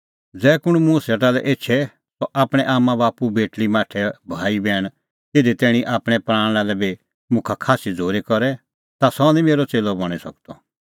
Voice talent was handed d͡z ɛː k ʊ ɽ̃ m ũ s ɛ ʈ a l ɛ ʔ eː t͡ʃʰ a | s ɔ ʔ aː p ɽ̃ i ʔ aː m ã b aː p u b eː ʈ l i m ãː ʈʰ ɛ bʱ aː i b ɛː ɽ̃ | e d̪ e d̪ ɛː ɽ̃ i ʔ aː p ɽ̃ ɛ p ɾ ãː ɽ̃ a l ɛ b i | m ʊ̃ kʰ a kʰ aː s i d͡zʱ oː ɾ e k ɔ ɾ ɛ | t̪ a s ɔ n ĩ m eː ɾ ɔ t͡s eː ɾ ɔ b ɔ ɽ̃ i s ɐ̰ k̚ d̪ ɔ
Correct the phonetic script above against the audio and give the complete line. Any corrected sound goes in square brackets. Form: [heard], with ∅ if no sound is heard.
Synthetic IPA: d͡z ɛː k ʊ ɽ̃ m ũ s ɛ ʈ a l ɛ ʔ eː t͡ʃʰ [ɛ] | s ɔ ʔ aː p ɽ̃ [ɛ] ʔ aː m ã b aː p u b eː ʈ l i m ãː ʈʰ ɛ bʱ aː i b ɛː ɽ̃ | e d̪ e [t̪] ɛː ɽ̃ i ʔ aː p ɽ̃ ɛ p ɾ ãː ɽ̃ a l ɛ b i | m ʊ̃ kʰ a kʰ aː s i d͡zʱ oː ɾ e k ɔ ɾ ɛ | t̪ a s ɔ n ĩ m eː ɾ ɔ t͡s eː [l] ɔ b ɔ ɽ̃ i s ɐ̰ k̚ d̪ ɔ